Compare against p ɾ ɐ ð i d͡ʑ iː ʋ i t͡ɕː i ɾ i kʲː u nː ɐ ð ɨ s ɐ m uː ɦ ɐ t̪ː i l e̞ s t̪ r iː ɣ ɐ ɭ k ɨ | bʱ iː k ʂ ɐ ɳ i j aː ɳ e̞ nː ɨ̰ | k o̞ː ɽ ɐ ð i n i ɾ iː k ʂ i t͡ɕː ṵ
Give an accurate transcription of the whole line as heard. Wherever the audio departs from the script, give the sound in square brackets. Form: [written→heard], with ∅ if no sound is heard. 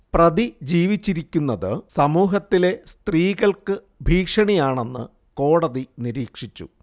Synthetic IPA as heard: p [ɾ→r] ɐ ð i d͡ʑ iː ʋ i t͡ɕː i ɾ i kʲː u nː ɐ ð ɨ s ɐ m uː ɦ ɐ t̪ː i l e̞ s t̪ r iː ɣ ɐ ɭ k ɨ | bʱ iː k ʂ ɐ ɳ i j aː ɳ e̞ nː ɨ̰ | k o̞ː ɽ ɐ ð i n i ɾ iː k ʂ i t͡ɕː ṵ